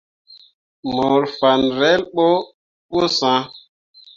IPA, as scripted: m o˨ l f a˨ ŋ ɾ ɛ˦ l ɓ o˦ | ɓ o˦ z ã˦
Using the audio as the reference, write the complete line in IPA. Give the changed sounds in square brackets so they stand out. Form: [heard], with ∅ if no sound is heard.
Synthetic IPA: m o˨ [ɾ] f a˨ [n] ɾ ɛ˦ l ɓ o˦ | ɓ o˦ [s] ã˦